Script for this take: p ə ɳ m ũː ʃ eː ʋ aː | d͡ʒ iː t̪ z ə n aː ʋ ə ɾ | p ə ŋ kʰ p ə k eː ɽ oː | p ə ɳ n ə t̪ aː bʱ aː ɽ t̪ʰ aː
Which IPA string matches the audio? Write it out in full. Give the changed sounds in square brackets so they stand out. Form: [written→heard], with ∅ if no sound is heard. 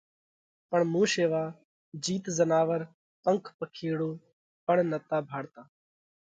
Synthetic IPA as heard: p ə ɳ m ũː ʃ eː ʋ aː | d͡ʒ iː t̪ z ə n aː ʋ ə ɾ | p ə ŋ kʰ p ə [k→kʰ] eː ɽ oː | p ə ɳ n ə t̪ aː bʱ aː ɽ [t̪ʰ→t̪] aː